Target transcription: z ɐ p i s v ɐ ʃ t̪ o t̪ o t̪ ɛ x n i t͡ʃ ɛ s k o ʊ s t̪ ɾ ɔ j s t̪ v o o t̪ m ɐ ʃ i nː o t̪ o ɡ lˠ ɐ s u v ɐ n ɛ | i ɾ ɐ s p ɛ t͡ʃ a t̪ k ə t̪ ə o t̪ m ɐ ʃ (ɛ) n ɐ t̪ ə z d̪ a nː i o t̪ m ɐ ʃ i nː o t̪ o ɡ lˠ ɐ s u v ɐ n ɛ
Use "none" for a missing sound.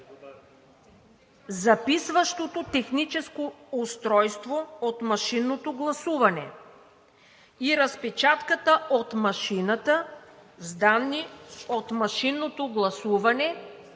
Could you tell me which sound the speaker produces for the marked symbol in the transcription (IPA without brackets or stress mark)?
i